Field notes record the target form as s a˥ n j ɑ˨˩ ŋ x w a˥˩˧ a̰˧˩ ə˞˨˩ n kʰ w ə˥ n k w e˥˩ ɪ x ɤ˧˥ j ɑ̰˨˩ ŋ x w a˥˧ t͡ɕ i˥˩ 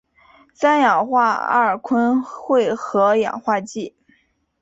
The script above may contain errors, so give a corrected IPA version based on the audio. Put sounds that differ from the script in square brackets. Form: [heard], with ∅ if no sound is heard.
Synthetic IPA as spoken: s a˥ n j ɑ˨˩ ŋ x w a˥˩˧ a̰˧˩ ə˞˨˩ [∅] kʰ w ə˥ n [x] w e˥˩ ɪ x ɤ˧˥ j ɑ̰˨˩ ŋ x w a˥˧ t͡ɕ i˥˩